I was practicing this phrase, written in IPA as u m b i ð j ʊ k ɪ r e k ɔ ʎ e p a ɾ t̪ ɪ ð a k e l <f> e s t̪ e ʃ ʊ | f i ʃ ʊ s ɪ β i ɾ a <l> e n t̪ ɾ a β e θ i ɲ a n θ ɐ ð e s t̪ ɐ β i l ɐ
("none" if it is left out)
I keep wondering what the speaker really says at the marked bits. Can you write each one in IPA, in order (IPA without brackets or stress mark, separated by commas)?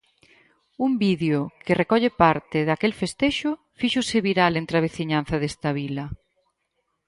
f, l